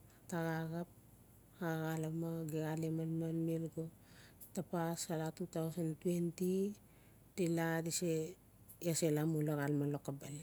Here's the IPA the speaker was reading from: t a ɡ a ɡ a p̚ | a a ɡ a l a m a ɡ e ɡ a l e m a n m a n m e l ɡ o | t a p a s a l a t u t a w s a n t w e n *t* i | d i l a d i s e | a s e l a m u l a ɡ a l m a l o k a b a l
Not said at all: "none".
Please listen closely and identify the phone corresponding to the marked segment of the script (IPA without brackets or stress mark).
t